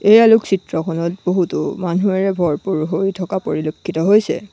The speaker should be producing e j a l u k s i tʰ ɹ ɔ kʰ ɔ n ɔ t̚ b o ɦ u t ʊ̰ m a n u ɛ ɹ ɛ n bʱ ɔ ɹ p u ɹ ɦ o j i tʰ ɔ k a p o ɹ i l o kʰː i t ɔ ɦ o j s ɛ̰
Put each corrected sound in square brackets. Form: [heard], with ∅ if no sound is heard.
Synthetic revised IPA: e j a l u k s i [t] ɹ ɔ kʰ ɔ n ɔ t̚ b o ɦ u t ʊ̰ m a n u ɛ ɹ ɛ [∅] bʱ ɔ ɹ p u ɹ ɦ o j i tʰ ɔ k a p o ɹ i l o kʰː i t ɔ ɦ o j s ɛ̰